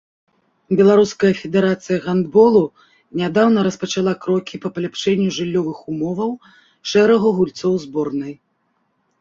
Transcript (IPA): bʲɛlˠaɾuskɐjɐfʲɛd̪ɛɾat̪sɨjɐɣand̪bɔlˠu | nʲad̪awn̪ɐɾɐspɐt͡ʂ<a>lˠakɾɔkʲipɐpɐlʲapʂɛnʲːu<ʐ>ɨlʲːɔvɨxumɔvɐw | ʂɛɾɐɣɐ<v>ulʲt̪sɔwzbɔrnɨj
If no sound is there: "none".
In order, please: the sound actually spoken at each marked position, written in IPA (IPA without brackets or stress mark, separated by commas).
a, ʐ, ɣ